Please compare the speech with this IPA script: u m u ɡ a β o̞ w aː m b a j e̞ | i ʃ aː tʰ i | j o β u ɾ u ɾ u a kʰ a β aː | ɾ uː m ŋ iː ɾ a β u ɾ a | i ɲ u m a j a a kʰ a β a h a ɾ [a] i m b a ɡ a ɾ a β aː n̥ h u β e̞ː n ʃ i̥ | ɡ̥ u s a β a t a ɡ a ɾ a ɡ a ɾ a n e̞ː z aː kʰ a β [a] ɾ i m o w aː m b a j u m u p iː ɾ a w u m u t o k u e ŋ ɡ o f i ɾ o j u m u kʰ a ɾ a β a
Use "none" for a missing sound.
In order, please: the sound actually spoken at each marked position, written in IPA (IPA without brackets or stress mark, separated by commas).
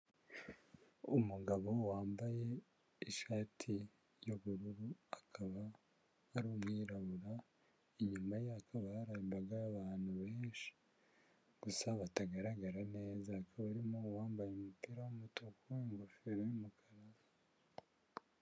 a, a